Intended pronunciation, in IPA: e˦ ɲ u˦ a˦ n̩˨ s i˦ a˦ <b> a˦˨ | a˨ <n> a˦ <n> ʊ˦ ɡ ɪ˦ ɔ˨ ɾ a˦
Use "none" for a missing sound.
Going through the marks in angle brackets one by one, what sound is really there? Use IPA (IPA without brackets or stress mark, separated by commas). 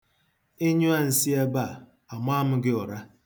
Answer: b, m, m